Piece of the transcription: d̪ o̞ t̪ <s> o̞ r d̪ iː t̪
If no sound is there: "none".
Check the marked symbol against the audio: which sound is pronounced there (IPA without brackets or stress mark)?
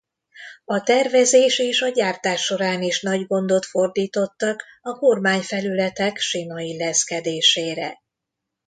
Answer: f